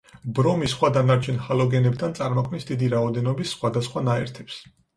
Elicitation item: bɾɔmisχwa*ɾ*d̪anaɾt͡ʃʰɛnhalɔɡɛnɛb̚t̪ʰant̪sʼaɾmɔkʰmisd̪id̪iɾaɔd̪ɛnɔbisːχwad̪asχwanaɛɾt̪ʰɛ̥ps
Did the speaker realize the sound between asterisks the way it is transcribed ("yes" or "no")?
no